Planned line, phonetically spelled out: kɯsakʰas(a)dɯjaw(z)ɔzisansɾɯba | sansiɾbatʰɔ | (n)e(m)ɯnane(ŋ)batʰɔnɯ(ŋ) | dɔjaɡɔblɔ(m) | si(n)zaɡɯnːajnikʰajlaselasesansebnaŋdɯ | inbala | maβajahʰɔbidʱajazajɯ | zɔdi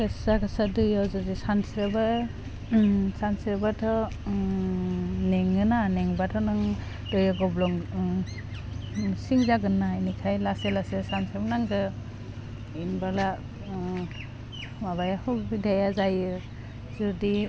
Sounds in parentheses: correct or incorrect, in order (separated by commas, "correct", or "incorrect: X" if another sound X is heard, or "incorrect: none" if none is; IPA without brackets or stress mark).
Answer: correct, correct, correct, incorrect: ŋ, correct, correct, incorrect: ŋ, incorrect: ŋ